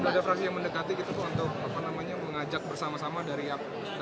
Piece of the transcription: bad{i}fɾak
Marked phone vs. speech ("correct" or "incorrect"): incorrect